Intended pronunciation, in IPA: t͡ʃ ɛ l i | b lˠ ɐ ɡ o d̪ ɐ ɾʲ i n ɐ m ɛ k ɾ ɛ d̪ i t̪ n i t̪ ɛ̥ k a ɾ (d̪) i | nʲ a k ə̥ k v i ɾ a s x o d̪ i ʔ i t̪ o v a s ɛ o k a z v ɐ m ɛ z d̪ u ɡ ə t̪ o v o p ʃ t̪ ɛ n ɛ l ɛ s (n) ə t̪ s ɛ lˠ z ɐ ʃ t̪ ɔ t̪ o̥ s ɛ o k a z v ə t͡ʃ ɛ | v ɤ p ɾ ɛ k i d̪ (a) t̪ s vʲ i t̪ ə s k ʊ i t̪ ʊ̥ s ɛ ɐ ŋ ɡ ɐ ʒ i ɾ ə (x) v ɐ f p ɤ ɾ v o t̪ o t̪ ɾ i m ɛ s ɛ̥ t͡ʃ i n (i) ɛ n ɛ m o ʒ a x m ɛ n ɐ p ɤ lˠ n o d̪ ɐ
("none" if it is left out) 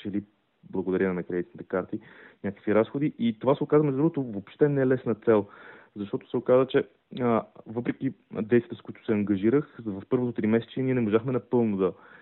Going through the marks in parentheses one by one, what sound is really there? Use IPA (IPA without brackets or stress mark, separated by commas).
t̪, n, ɛ, x, i